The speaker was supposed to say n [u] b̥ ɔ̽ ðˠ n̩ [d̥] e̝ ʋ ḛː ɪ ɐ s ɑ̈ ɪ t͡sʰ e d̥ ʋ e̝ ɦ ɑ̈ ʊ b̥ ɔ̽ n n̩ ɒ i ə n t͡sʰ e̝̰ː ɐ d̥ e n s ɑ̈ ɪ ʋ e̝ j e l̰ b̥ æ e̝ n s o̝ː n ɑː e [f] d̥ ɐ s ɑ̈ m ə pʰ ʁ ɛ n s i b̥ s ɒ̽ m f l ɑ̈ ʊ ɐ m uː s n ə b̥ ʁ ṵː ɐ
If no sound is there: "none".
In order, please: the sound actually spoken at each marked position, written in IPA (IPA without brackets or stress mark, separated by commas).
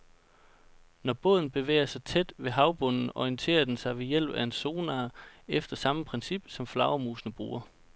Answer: ɒ, b̥, f